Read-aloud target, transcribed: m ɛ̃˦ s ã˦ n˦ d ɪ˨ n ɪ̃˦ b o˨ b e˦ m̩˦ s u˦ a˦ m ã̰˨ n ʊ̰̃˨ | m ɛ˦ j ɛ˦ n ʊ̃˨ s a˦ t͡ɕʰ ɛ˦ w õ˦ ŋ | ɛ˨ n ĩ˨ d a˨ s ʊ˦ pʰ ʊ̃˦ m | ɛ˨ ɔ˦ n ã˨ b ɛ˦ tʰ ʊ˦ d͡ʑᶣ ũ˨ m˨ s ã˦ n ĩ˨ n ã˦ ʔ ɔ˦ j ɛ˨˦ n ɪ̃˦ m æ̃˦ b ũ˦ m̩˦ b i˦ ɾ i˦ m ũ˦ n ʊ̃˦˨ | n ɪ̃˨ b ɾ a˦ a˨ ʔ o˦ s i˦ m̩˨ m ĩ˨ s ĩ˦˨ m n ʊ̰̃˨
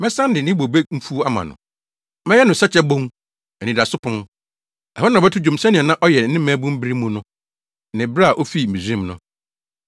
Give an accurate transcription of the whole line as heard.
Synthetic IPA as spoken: m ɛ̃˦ s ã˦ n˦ d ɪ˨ n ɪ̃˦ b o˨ b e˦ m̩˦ f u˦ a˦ m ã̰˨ n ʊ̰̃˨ | m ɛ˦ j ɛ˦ n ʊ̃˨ s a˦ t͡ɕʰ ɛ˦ b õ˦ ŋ | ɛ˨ n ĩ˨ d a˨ s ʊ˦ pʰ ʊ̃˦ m | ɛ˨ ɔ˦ n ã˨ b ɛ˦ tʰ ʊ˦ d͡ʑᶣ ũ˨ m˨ s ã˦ n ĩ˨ n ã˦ ʔ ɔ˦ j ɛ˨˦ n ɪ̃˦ m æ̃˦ b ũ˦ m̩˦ b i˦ ɾ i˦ m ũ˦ n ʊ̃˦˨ | n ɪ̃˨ b ɾ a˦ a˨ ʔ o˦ f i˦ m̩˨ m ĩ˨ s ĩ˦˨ m n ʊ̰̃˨

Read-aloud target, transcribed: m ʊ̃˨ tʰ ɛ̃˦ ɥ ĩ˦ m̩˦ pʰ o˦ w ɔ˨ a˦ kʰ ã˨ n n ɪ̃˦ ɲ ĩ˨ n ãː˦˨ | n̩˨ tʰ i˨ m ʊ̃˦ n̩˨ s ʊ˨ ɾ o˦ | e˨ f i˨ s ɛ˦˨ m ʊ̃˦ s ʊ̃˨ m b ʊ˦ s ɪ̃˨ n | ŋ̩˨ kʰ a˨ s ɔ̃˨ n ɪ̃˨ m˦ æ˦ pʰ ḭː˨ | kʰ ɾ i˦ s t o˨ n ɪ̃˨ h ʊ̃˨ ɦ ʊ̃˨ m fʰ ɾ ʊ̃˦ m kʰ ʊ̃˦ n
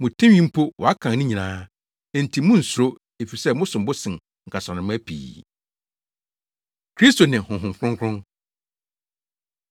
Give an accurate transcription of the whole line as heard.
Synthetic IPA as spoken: m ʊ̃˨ tʰ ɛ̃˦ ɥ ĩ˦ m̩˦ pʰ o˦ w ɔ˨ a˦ kʰ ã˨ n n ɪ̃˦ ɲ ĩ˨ n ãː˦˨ | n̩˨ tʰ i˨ m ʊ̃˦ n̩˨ s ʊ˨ ɾ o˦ | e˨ f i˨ s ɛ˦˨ m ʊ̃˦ s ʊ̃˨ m b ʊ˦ s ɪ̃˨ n | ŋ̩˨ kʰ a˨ s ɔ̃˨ n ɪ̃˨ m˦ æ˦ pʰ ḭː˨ | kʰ ɾ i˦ s t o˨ n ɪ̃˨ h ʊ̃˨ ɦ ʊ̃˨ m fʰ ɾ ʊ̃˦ ŋ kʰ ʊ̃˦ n

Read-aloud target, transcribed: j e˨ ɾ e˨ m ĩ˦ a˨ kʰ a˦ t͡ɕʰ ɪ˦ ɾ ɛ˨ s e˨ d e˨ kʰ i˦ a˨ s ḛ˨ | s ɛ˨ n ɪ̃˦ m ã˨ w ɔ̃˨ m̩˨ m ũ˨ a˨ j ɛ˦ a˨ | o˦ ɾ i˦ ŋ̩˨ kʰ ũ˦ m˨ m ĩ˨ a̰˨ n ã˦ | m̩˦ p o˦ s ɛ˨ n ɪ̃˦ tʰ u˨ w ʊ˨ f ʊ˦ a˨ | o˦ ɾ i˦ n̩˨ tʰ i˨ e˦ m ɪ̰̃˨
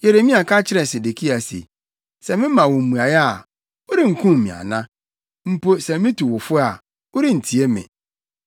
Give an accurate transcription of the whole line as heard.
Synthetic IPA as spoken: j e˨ ɾ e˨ m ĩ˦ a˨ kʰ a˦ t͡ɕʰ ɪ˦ ɾ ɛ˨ s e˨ d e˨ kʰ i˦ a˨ s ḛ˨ | s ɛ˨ m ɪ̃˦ m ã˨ w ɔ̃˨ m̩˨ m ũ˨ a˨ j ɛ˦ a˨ | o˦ ɾ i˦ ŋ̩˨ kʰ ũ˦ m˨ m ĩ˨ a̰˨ n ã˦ | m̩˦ p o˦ s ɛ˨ m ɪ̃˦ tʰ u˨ w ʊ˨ f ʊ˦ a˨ | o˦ ɾ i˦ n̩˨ tʰ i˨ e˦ m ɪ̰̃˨

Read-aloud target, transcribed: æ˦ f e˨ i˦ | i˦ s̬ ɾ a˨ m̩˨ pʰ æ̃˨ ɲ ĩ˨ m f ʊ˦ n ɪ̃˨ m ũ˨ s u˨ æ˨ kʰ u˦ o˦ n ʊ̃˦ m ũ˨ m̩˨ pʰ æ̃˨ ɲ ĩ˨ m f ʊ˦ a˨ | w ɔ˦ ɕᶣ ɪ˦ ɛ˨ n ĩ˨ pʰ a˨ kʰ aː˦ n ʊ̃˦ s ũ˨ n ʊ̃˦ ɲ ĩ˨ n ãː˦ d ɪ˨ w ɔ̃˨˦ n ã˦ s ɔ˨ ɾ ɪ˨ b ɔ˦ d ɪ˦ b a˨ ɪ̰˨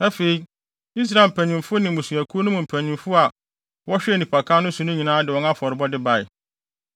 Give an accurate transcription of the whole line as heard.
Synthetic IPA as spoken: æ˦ f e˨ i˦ | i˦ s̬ ɾ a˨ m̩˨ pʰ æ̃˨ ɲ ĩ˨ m f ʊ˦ n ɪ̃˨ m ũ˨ s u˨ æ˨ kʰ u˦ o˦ n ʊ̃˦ m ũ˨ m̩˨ pʰ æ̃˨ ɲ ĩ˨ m f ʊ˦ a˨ | w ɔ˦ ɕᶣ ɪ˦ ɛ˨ n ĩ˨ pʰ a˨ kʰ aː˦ n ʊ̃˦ s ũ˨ n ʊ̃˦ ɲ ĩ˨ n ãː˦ d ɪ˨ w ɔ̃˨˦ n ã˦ f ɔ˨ ɾ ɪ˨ b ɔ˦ d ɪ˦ b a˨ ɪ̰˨

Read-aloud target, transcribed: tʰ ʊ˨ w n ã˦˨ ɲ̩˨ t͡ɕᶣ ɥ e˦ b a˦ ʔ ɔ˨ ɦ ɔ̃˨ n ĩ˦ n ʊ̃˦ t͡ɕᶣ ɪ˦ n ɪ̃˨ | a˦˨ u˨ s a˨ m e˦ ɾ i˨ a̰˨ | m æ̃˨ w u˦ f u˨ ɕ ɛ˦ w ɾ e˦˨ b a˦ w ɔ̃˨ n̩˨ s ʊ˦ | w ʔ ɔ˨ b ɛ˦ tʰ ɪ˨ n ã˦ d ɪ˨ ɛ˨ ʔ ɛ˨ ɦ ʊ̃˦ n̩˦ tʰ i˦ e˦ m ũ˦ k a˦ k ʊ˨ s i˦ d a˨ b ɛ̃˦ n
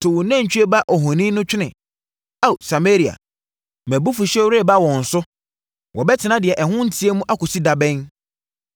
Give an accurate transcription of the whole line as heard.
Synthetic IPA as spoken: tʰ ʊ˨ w n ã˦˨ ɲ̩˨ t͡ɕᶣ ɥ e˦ b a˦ ʔ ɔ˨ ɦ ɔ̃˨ n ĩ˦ n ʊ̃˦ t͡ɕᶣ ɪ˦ n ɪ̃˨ | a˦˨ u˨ s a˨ m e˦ ɾ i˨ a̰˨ | m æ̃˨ b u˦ f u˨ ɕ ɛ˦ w ɾ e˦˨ b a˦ w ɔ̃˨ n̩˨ s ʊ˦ | w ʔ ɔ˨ b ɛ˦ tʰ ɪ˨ n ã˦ d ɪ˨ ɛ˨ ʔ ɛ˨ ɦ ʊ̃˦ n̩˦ tʰ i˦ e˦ m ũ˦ ʔ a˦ k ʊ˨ s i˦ d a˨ b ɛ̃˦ n

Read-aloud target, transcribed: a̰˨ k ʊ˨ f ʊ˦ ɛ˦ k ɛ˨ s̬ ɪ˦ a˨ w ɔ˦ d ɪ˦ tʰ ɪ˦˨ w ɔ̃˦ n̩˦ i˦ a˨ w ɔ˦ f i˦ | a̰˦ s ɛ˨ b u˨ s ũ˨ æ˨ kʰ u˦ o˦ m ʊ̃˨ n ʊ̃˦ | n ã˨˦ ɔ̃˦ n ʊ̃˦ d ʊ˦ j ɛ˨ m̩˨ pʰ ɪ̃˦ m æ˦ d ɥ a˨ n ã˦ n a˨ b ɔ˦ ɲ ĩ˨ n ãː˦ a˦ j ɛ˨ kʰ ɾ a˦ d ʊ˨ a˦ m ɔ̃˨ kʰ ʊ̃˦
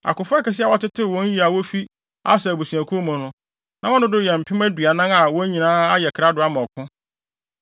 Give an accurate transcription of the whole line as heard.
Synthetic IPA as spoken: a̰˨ k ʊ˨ f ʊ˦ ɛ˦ k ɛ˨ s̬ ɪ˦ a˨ w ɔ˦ t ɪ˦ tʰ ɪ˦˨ w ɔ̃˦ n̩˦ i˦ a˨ w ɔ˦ f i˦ | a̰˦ s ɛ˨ b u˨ s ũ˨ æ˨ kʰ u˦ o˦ m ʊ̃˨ n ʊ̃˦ | n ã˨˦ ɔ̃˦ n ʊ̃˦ d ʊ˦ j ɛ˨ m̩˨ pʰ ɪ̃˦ m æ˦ d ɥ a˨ n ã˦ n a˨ w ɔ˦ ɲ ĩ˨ n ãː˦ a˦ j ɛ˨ kʰ ɾ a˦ d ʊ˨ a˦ m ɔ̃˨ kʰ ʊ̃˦

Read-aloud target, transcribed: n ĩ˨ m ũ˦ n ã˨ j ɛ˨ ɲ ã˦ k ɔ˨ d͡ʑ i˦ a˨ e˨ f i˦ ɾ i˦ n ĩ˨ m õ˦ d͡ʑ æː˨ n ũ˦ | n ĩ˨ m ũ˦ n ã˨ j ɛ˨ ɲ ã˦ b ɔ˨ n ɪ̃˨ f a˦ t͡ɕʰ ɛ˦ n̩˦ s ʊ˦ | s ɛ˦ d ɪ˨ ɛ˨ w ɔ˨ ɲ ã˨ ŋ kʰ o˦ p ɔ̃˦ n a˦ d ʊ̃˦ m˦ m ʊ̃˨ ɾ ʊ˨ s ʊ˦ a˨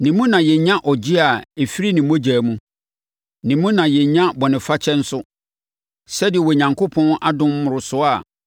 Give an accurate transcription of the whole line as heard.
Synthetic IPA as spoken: n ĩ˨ m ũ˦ n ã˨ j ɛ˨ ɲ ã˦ ʔ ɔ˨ d͡ʑ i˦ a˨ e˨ f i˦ ɾ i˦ n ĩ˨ m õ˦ d͡ʑ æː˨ m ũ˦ | n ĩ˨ m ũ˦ n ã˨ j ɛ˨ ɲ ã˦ b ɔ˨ n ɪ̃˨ f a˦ t͡ɕʰ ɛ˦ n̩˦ s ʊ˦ | s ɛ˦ d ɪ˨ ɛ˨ w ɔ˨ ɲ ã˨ ŋ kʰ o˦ pʰ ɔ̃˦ n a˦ d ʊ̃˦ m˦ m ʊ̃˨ ɾ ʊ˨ s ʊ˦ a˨

